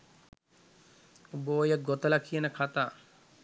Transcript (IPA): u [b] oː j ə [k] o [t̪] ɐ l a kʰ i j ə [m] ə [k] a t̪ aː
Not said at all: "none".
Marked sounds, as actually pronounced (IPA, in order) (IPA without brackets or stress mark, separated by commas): b, ɡ, t̪, n, kʰ